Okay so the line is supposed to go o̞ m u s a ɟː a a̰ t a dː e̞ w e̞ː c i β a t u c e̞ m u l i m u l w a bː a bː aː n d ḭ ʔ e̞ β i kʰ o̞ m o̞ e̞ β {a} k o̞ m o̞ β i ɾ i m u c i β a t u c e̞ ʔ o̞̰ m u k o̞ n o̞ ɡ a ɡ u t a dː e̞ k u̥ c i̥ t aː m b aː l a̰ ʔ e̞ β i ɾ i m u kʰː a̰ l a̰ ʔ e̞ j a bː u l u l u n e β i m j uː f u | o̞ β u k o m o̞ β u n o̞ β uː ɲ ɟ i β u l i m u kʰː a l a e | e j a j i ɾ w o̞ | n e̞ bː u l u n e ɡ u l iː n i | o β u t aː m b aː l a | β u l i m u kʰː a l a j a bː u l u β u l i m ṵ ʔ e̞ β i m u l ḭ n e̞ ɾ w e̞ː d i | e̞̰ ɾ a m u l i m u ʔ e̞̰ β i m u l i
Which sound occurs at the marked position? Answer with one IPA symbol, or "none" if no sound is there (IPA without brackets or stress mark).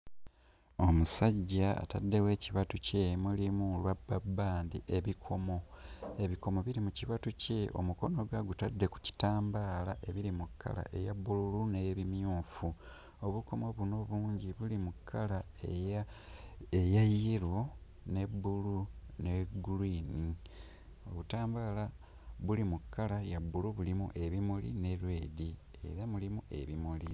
i